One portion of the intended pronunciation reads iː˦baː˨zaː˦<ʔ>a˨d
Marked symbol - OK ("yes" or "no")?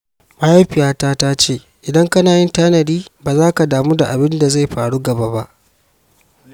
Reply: no